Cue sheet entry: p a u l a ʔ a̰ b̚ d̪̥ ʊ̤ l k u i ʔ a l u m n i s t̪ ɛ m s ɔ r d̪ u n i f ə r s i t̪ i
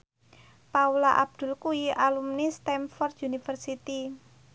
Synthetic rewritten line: p a u l a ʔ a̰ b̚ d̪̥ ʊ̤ l k u i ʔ a l u m n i s t̪ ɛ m f ɔ r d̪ u n i f ə r s i t̪ i